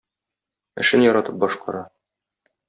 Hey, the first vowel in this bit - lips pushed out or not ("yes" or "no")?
no